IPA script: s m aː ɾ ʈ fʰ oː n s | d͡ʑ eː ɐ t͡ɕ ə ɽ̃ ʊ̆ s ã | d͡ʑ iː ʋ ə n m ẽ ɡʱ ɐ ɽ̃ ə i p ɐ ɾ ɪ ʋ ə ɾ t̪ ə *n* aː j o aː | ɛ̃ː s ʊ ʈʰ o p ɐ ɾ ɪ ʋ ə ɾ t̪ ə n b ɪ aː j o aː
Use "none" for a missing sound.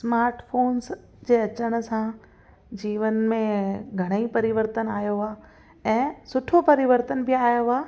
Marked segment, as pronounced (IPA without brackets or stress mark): n